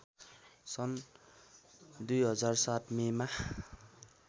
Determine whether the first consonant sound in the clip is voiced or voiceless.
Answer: voiceless